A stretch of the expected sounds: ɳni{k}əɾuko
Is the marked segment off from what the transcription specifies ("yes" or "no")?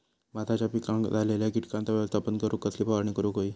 no